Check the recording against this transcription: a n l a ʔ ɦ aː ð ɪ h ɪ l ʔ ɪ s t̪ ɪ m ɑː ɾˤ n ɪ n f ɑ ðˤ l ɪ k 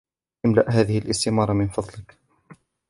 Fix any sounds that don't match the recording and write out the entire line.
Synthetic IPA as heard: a m l a ʔ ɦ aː ð ɪ h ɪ l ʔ ɪ s t̪ ɪ m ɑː ɾˤ m ɪ n f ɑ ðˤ l ɪ k